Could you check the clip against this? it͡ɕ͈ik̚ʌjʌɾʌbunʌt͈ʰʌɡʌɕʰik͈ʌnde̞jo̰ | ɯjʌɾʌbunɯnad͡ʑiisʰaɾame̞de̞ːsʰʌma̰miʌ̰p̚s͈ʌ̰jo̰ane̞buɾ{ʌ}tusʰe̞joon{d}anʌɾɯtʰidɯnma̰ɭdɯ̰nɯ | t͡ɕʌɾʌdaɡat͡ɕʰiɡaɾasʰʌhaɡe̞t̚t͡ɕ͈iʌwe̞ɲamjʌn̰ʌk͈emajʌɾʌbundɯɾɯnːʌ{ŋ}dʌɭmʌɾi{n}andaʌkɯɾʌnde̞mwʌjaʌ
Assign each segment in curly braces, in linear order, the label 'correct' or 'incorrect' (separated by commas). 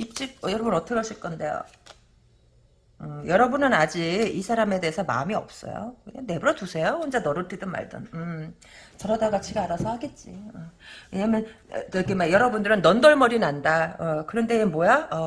correct, incorrect, incorrect, correct